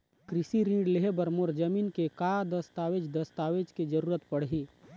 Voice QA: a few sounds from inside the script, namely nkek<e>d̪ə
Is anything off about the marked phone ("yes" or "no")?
yes